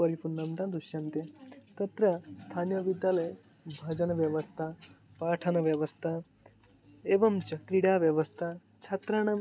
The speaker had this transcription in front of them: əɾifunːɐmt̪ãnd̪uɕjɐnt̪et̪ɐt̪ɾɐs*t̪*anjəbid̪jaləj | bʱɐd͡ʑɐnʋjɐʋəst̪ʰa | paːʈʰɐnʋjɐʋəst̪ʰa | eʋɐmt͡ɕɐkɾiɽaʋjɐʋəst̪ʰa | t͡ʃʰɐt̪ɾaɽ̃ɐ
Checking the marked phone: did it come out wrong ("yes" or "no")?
yes